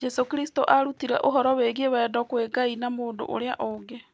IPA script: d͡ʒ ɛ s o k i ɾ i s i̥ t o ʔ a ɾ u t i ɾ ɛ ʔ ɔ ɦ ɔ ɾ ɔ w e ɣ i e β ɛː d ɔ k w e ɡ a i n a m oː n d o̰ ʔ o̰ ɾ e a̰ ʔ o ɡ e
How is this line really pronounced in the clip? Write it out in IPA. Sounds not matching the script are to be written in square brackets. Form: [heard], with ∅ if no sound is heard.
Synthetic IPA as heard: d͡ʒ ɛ s o k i ɾ i s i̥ t o ʔ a ɾ u t i ɾ ɛ ʔ [o] ɦ ɔ ɾ ɔ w e ɣ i e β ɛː d ɔ k w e ɡ a i n a m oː n d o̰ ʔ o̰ ɾ e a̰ ʔ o ɡ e